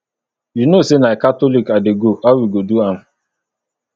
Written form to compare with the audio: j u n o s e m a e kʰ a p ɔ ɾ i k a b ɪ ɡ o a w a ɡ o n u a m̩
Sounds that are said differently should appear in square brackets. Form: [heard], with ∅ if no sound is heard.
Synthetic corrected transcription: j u n o s e [n] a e [k] a [t] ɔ [l] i k a [d] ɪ ɡ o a w [i] ɡ o [d] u a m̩